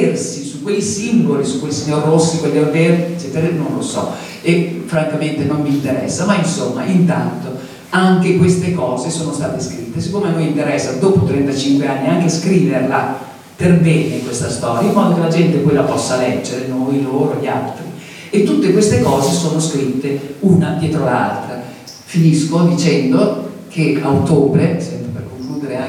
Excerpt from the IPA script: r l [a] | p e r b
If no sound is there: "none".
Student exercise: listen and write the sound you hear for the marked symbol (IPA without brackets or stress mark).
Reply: a